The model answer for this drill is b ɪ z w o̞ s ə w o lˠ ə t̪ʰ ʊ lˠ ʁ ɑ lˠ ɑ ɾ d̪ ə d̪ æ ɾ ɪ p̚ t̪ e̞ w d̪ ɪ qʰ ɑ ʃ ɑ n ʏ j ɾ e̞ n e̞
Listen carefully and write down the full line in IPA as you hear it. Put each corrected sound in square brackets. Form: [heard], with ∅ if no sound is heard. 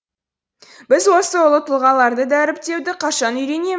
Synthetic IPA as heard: b ɪ z w o̞ s ə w o lˠ ə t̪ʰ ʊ lˠ ʁ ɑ lˠ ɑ ɾ d̪ ə d̪ æ ɾ ɪ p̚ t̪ e̞ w d̪ ɪ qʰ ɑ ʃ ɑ n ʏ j ɾ e̞ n e̞